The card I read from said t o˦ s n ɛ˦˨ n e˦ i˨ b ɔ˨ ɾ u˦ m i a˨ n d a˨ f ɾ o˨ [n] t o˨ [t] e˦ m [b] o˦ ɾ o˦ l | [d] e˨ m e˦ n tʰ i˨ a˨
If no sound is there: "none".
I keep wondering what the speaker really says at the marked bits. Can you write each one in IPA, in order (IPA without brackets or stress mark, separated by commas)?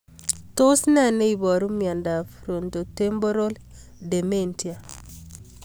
n, t, b, d